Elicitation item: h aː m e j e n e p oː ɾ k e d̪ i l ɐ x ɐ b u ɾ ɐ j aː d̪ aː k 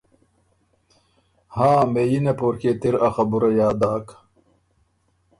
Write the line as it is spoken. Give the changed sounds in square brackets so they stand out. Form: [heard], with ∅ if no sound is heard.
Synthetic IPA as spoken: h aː m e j [i] n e p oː ɾ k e [t̪] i [ɾ] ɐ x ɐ b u ɾ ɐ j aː d̪ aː k